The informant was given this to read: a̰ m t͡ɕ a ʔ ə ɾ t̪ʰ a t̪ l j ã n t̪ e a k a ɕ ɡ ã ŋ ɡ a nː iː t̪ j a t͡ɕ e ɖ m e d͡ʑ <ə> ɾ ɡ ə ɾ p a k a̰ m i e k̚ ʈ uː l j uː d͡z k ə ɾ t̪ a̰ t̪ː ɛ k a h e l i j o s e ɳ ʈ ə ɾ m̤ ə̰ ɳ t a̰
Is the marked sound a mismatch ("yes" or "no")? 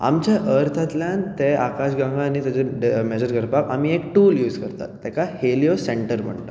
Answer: no